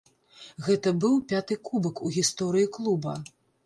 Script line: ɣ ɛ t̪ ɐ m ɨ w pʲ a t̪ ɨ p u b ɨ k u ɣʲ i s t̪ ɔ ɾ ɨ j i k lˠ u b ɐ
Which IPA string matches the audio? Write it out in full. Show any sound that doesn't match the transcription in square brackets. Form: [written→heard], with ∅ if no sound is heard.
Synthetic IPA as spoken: ɣ ɛ t̪ ɐ [m→b] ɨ w pʲ a t̪ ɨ [p→k] u b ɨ k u ɣʲ i s t̪ ɔ ɾ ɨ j i k lˠ u b ɐ